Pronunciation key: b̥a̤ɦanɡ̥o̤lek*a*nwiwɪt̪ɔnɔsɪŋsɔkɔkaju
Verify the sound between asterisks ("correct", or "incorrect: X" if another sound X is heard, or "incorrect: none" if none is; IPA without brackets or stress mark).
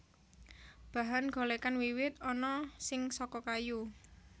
correct